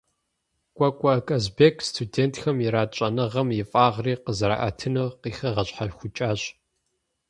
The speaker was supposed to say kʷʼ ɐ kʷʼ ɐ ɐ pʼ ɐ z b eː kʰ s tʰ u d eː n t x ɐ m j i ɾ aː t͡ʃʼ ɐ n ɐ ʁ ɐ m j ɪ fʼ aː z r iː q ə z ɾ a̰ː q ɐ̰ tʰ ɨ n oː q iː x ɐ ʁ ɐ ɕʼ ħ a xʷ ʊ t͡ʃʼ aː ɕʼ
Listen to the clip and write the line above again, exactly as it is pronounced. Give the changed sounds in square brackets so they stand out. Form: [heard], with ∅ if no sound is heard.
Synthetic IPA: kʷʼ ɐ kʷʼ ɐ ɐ [kʼ] ɐ z b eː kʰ s tʰ u d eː n t x ɐ m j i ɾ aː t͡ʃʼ ɐ n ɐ ʁ ɐ m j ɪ fʼ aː [ʁ] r iː q ə z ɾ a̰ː [ʔ] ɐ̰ tʰ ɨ n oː q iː x ɐ ʁ ɐ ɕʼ ħ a xʷ ʊ t͡ʃʼ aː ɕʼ